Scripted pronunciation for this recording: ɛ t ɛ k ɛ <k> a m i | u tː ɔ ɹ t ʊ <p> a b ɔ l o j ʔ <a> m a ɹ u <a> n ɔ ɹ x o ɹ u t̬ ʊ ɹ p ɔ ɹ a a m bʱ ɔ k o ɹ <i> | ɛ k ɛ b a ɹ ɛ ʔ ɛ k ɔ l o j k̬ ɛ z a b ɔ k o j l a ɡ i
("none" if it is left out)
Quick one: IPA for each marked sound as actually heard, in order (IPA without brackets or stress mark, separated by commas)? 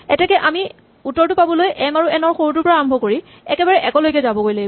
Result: ʔ, p, ɛ, ɛ, i